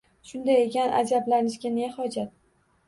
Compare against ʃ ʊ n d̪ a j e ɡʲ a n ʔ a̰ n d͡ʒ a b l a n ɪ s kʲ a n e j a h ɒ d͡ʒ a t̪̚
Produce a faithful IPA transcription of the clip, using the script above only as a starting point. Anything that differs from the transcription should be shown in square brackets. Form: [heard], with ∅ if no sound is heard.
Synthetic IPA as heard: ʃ ʊ n d̪ a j e [kʲ] a n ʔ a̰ [∅] d͡ʒ a b l a n ɪ [ʃ] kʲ a n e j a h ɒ d͡ʒ a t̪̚